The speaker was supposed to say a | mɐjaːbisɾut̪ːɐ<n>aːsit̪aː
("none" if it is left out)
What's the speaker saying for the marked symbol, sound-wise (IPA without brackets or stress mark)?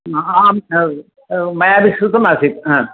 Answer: m